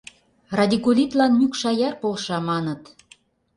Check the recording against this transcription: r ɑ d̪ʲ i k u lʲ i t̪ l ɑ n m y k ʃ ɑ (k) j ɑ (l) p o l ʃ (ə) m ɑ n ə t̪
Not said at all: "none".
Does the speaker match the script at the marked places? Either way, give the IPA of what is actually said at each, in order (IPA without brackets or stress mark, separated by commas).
none, r, ɑ